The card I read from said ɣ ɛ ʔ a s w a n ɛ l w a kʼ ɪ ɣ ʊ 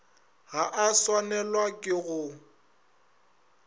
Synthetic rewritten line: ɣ a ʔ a s w a n ɛ l w a kʼ ɪ ɣ ʊ